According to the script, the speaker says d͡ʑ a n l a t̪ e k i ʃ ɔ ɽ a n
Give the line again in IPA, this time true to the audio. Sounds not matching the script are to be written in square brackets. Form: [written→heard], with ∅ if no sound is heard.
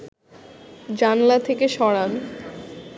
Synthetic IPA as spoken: d͡ʑ a n l a [t̪→t̪ʰ] e k [i→e] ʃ ɔ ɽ a n